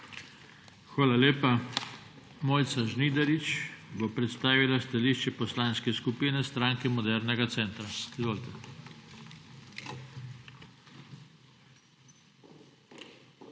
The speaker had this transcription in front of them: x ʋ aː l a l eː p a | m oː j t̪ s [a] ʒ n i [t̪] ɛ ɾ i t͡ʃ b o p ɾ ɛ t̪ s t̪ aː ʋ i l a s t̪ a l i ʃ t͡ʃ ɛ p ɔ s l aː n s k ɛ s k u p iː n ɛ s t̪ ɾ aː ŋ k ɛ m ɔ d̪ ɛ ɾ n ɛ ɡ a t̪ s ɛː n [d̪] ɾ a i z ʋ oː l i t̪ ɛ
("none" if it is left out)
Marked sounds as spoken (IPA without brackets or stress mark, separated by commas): a, d̪, t̪